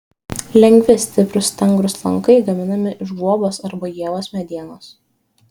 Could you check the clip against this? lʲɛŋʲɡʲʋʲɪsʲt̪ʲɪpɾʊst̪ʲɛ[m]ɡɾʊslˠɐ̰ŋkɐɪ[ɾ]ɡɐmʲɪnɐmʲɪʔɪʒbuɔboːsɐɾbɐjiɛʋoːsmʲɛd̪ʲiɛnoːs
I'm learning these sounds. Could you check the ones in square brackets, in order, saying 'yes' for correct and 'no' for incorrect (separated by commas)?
no, no